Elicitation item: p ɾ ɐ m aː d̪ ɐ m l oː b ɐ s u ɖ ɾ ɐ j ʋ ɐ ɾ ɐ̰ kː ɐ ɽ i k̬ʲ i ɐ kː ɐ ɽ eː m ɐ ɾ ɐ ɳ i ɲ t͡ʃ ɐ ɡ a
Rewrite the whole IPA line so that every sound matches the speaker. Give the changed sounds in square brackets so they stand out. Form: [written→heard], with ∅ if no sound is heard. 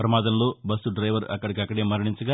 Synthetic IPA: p ɾ ɐ m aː d̪ ɐ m l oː b ɐ s u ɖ ɾ ɐ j ʋ ɐ ɾ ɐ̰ kː ɐ ɽ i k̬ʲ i ɐ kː ɐ ɽ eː m ɐ ɾ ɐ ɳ i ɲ t͡ʃ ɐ ɡ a